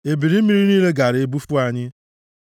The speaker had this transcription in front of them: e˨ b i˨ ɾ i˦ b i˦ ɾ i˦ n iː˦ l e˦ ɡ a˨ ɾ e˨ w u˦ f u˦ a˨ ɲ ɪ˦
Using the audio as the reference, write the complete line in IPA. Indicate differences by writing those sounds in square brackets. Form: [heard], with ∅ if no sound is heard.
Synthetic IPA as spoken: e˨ b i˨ ɾ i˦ [m] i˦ ɾ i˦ n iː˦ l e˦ ɡ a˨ ɾ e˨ [b] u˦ f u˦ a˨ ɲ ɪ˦

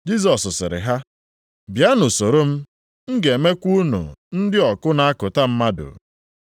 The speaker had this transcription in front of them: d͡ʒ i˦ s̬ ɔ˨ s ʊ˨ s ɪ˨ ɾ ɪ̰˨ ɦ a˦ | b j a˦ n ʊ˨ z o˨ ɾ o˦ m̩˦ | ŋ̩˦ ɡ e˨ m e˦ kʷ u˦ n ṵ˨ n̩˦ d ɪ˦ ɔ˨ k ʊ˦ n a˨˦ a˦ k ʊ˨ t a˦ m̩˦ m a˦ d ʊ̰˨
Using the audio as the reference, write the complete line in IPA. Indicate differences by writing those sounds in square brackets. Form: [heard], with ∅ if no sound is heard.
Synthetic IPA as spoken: d͡ʒ i˦ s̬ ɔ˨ s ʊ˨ s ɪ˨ ɾ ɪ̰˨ ɦ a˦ | b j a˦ n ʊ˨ [s] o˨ ɾ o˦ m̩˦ | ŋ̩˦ ɡ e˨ m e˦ kʷ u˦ n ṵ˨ n̩˦ d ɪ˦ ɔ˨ k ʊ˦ n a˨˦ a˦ k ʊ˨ t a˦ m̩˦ m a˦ d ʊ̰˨

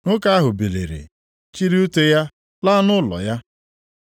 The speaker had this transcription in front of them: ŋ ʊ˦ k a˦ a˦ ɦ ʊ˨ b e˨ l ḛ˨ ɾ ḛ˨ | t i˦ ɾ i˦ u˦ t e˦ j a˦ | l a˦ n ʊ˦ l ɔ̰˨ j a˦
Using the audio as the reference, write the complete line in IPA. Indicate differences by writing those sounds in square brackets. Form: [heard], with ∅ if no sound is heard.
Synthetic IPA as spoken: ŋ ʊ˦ k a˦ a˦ ɦ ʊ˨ b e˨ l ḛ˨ ɾ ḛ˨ | [t͡ʃ] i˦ ɾ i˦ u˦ t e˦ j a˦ | l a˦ n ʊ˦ l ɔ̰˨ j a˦

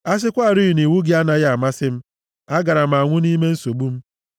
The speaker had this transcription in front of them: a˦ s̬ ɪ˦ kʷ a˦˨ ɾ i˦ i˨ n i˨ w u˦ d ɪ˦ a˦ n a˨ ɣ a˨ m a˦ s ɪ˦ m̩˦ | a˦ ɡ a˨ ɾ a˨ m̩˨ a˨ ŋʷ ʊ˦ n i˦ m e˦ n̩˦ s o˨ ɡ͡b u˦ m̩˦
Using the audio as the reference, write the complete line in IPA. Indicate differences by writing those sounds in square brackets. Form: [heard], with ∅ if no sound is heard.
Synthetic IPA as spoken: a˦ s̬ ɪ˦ kʷ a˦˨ ɾ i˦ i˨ n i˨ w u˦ [ɡ] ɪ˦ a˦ n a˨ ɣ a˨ m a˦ s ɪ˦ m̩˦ | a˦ ɡ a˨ ɾ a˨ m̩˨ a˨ ŋʷ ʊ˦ n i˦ m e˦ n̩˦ s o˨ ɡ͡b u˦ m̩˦

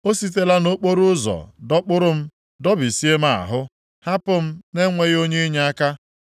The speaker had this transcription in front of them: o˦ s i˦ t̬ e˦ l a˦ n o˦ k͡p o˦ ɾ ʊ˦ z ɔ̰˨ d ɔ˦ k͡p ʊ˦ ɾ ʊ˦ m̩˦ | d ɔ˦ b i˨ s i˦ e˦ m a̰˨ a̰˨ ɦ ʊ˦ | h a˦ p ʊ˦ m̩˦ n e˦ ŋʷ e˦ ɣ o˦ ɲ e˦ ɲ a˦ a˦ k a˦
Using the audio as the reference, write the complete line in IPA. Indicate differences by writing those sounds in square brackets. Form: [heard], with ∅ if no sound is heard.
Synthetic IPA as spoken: o˦ s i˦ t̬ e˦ l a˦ n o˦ k͡p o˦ ɾ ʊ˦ z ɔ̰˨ d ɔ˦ k͡p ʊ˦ ɾ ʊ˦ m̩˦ | d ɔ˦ b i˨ s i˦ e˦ m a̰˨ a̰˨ ɦ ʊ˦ | h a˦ p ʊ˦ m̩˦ n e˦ ŋʷ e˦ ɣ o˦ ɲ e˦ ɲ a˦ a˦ k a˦

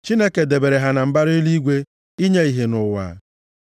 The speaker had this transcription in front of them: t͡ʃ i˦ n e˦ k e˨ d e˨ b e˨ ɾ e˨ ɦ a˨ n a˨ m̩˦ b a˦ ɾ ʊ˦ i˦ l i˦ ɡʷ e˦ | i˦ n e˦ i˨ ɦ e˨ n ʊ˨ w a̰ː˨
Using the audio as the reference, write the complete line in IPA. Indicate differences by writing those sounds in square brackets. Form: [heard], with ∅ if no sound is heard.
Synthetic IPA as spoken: t͡ʃ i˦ n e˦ k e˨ d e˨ b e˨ ɾ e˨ ɦ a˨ n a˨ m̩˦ b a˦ ɾ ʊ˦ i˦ l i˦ ɡʷ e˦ | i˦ [ɲ] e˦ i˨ ɦ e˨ n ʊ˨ w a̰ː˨

